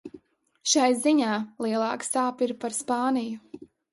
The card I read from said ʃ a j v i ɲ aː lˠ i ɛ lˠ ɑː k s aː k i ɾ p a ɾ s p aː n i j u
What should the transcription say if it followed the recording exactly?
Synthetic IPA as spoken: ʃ a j z i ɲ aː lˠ i ɛ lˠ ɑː k s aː p i ɾ p a ɾ s p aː n i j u